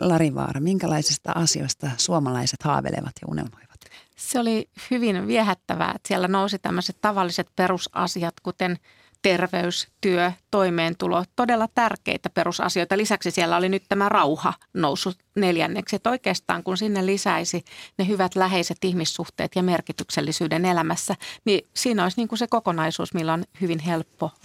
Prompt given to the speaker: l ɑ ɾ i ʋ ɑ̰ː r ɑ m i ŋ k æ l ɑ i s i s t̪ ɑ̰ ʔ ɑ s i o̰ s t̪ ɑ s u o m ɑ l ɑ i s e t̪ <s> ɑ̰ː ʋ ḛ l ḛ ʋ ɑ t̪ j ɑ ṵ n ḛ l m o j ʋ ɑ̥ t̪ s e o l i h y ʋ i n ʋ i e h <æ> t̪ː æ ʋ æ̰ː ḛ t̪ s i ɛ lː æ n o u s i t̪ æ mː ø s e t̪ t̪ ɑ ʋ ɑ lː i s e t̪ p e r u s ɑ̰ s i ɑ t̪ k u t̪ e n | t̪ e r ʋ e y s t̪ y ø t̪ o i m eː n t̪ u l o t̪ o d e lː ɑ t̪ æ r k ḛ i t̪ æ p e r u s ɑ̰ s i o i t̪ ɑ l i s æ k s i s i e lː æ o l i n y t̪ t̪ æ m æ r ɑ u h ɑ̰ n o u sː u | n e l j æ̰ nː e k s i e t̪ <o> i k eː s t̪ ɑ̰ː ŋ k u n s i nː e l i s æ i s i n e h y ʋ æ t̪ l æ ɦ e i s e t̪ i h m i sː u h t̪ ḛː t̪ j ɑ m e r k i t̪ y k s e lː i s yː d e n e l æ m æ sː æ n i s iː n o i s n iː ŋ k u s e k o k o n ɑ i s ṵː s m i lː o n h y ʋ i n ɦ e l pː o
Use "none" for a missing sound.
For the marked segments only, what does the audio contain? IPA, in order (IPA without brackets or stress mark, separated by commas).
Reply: h, æ, o